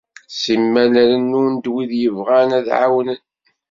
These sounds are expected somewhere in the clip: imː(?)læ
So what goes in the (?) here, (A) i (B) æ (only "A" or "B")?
B